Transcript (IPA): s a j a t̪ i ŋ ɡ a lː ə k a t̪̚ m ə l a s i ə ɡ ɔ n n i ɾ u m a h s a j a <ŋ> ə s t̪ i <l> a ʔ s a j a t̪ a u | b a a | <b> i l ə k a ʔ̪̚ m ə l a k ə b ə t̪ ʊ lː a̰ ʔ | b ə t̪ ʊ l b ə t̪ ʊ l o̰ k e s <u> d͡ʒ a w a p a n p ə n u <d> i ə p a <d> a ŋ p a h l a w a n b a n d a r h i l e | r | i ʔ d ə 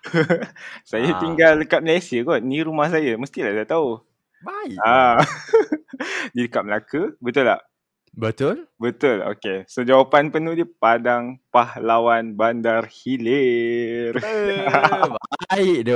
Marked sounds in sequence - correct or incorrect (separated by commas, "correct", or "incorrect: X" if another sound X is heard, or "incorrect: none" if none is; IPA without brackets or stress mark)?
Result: incorrect: m, correct, incorrect: d, incorrect: o, correct, correct